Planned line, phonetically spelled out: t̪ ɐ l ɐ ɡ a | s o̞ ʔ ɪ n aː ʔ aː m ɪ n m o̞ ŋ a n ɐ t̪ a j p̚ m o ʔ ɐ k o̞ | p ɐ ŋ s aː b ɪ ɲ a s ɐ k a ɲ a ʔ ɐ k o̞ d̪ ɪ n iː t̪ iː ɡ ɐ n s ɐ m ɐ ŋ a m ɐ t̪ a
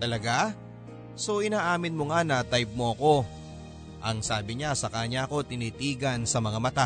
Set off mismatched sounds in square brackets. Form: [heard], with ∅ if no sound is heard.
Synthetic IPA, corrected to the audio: t̪ ɐ l ɐ ɡ a | s o̞ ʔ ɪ n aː ʔ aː m ɪ n m o̞ ŋ a n ɐ t̪ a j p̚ m o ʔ ɐ k o̞ | [ʔ] ɐ ŋ s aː b ɪ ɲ a s ɐ k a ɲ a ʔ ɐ k o̞ [t̪] ɪ n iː t̪ iː ɡ ɐ n s ɐ m ɐ ŋ a m ɐ t̪ a